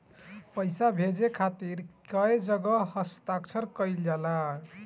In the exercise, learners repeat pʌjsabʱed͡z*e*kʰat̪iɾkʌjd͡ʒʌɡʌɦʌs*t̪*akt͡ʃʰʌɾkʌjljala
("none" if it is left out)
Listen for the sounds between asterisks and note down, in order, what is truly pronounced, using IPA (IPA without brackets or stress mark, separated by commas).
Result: e, t̪